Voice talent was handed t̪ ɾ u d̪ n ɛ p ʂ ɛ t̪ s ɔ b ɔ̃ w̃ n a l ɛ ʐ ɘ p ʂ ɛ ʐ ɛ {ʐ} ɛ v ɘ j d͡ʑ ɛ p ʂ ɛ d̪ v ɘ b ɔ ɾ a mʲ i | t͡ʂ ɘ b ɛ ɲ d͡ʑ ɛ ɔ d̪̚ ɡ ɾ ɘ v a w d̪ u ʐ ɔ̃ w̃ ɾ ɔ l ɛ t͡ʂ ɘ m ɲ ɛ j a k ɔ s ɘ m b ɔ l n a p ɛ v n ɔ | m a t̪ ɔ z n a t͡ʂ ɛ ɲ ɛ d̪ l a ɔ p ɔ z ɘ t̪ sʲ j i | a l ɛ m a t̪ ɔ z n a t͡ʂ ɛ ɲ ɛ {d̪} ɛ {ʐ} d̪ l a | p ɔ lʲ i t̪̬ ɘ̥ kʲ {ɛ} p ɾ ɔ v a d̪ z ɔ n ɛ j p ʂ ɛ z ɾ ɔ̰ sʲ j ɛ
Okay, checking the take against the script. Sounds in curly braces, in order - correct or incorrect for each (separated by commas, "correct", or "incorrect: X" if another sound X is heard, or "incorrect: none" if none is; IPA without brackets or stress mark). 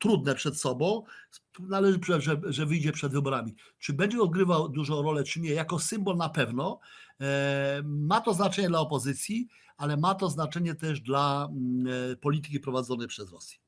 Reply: correct, incorrect: t̪, correct, incorrect: i